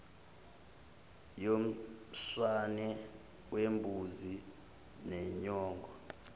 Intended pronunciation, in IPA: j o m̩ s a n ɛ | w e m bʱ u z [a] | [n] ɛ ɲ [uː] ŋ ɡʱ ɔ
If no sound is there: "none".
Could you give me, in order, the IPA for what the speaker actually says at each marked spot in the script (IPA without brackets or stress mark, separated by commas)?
i, n, ɔː